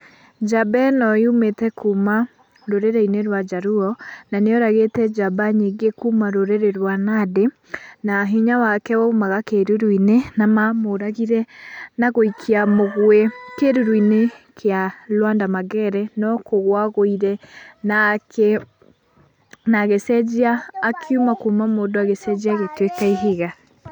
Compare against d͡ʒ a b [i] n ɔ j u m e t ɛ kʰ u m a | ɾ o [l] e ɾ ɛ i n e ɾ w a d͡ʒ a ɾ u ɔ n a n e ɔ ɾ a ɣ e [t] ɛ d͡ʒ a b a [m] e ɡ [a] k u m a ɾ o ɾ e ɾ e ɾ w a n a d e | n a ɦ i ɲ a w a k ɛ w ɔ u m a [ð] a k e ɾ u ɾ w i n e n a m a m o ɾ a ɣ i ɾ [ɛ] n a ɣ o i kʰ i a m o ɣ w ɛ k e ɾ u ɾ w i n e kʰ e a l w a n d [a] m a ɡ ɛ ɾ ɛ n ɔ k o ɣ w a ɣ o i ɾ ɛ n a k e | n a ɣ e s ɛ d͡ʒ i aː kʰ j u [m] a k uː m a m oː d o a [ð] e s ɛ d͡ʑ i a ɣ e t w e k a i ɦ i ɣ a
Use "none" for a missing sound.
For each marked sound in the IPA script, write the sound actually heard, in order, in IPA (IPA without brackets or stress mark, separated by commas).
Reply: ɛ, ɾ, t, ɲ, e, ɣ, ɛ, a, m, ɣ